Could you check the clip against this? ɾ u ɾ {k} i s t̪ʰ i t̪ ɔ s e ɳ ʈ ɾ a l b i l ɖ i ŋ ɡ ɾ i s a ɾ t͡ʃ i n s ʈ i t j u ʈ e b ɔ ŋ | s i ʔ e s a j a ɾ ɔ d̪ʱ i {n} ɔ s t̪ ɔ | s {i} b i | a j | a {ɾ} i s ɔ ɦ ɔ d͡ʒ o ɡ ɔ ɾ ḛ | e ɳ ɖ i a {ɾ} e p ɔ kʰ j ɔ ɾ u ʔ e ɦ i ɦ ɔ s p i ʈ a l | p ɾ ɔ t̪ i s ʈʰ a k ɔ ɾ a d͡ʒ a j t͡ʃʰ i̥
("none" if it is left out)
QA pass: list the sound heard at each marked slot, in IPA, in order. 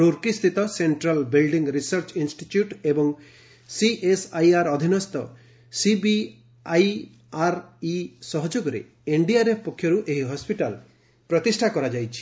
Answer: k, n, i, ɾ, ɾ

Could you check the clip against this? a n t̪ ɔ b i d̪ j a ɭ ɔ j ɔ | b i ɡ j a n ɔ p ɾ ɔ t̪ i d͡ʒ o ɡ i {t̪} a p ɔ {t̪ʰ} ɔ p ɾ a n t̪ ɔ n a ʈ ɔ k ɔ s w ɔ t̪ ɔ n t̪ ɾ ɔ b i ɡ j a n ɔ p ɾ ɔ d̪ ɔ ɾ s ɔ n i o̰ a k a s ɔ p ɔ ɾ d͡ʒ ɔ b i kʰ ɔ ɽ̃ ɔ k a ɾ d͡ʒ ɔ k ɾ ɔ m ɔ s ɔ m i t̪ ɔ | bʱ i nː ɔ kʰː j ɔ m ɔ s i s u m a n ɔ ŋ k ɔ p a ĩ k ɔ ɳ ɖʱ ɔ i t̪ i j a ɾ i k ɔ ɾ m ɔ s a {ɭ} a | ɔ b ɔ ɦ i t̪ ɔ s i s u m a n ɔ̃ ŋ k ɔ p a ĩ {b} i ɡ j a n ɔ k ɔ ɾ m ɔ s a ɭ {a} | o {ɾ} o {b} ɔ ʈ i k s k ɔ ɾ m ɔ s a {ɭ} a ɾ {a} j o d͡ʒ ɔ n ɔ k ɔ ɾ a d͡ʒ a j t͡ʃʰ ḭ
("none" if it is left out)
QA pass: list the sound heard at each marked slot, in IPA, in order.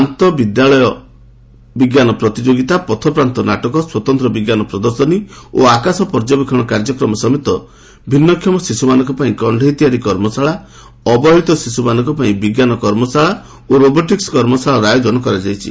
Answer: t̪, t̪ʰ, ɭ, b, a, ɾ, b, ɭ, a

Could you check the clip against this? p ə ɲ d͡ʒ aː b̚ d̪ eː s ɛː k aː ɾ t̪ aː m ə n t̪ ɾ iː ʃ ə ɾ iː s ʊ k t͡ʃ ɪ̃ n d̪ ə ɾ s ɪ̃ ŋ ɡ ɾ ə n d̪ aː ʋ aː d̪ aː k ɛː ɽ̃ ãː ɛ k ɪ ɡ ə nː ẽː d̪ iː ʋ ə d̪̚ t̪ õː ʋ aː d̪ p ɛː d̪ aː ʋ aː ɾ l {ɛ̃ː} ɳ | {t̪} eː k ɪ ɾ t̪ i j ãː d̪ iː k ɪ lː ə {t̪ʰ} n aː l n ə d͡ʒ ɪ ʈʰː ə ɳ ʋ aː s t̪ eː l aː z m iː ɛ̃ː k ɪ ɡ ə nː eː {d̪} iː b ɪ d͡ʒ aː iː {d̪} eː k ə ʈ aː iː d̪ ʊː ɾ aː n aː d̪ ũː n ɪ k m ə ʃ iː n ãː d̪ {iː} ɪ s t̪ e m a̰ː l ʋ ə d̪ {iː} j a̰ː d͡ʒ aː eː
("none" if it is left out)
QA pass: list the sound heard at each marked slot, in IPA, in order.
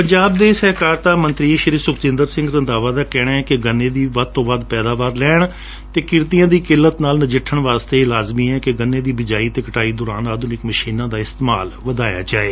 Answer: ɛː, t̪, t̪, d̪, t̪, aː, aː

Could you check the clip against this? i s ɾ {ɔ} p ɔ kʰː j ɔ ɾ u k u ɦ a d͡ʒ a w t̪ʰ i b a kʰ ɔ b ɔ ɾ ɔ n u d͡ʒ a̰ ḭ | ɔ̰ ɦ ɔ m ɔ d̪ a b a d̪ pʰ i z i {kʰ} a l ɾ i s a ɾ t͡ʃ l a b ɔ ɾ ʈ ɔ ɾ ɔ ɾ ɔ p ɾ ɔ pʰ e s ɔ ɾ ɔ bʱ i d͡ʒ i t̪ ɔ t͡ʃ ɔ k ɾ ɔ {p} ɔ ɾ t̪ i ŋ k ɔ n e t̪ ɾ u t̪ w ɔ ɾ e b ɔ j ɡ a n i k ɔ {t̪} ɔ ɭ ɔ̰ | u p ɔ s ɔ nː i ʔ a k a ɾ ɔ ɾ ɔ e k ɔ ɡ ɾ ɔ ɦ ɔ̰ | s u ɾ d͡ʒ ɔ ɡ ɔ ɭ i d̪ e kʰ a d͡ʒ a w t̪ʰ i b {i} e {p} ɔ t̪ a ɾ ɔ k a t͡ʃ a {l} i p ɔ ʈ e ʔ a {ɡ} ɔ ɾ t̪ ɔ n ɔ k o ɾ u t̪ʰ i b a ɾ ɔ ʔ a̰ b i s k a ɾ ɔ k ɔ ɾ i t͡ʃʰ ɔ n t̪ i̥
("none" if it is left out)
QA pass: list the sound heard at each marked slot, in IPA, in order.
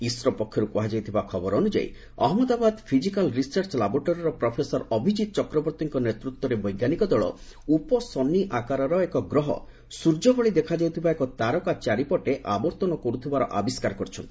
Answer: ɔ, k, b, d̪, a, k, ɾ, b

